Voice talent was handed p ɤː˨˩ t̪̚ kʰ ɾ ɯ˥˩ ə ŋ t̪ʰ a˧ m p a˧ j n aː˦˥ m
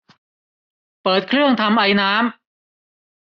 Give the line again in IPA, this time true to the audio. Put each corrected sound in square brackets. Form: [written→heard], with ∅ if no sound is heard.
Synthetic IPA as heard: p ɤː˨˩ t̪̚ kʰ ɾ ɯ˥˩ ə ŋ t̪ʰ a˧ m [p→ʔ] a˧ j n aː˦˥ m